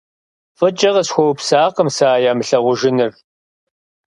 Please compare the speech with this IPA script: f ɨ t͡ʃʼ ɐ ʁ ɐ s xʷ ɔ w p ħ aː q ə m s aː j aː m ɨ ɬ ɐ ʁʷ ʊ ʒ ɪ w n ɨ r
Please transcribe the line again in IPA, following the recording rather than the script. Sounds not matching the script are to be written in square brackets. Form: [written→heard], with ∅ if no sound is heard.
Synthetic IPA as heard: f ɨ t͡ʃʼ ɐ ʁ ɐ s xʷ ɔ w p [ħ→s] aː q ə m s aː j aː m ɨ ɬ ɐ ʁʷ ʊ ʒ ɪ [w→∅] n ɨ r